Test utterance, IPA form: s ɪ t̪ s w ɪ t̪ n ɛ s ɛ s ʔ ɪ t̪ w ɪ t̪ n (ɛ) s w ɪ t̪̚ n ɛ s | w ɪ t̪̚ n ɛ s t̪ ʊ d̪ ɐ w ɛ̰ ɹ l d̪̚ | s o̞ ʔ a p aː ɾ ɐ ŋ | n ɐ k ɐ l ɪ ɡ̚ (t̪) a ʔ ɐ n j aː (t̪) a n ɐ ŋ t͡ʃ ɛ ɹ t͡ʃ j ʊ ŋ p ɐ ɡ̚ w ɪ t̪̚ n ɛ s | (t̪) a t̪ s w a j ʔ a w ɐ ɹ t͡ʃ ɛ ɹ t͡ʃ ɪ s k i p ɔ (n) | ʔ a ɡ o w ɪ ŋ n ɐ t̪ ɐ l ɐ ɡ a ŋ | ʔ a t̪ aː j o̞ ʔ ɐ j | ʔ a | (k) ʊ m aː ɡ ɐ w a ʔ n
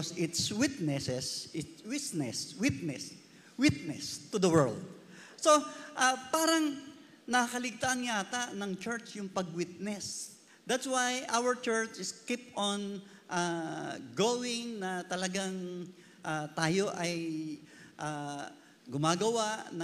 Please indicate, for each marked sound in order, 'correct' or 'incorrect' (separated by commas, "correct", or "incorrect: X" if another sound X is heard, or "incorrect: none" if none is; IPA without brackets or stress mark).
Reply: correct, correct, correct, incorrect: d̪, correct, incorrect: ɡ